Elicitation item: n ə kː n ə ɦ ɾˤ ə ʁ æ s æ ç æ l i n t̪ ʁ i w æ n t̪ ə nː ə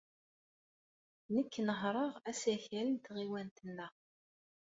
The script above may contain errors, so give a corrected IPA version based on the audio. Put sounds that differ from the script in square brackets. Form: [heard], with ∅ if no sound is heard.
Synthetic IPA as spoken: n ə kː n ə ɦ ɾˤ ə ʁ æ s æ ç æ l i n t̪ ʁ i w æ n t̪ ə nː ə